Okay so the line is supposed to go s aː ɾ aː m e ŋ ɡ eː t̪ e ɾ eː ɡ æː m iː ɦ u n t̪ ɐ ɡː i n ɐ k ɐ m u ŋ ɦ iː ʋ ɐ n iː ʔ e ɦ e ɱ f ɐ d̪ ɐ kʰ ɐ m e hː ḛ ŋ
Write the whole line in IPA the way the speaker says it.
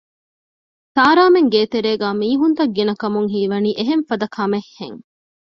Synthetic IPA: s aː ɾ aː m e ŋ ɡ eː t̪ e ɾ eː ɡ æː m iː ɦ u n t̪ ɐ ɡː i n ɐ k ɐ m u ŋ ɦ iː ʋ ɐ n iː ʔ e ɦ e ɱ f ɐ d̪ ɐ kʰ ɐ m e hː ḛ ŋ